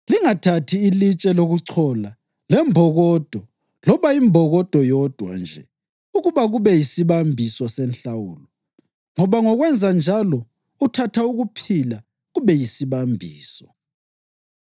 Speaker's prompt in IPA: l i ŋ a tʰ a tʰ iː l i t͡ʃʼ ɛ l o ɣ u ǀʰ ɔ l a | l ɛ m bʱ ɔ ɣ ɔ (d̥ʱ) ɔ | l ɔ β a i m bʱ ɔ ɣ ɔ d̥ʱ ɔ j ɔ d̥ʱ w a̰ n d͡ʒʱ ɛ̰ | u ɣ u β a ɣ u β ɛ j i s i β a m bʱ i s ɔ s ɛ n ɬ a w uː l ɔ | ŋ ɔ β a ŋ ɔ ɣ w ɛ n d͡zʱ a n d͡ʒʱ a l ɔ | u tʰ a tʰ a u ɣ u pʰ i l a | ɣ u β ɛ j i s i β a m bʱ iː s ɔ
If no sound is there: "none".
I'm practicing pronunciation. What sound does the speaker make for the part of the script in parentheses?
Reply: d̥ʱ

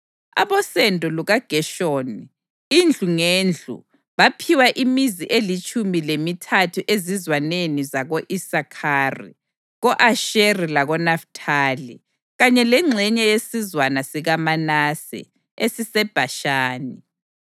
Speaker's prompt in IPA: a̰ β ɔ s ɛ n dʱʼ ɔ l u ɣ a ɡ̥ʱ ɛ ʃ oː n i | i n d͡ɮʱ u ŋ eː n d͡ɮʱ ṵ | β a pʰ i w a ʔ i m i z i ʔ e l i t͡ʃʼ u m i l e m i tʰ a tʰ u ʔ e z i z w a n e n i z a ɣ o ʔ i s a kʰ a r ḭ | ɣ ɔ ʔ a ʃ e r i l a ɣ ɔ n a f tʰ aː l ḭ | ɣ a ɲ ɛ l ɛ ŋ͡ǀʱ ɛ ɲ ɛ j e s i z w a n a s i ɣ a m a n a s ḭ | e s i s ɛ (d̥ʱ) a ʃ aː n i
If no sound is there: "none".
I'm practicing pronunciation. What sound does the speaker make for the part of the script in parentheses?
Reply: b̥ʱ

